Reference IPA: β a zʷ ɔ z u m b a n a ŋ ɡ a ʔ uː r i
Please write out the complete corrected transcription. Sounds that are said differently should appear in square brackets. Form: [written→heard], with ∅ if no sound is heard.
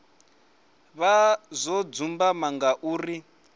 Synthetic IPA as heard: β a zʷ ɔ [z→d͡z] u m b a [n→m] a ŋ ɡ a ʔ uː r i